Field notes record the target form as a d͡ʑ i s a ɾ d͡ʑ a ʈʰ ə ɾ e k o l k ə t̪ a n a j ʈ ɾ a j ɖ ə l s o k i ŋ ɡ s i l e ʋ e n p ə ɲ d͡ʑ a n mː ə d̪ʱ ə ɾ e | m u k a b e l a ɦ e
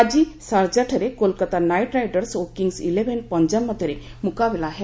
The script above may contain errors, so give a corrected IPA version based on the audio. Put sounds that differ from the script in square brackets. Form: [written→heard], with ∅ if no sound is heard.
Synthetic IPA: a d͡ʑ i s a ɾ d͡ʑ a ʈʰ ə ɾ e k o l k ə t̪ a n a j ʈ ɾ a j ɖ ə [l→ɾ] s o k i ŋ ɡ s i l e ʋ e n p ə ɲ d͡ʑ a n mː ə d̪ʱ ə ɾ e | m u k a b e l a ɦ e